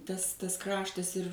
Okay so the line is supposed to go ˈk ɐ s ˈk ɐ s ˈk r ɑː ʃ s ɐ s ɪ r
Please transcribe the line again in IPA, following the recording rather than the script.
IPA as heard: ˈt ɐ s ˈt ɐ s ˈk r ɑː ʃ t ɐ s ɪ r